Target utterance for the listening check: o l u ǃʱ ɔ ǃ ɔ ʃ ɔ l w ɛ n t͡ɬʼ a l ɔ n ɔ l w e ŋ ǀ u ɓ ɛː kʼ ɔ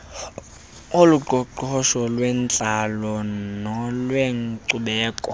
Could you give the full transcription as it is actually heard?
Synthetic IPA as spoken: o l u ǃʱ ɔ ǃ ɔ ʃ ɔ l w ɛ n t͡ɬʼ a l ɔ n ɔ l w e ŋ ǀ u ɓ ɛː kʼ ɔ